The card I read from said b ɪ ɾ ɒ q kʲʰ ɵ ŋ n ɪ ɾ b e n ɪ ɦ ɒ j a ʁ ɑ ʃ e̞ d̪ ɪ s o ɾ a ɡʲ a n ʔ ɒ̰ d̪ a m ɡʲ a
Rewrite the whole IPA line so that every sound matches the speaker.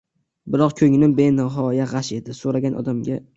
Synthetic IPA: b ɪ ɾ ɒ q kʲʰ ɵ ŋ n ɪ b e n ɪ ɦ ɒ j a ʁ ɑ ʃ e̞ d̪ ɪ s o ɾ a ɡʲ a n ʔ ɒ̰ d̪ a m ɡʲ a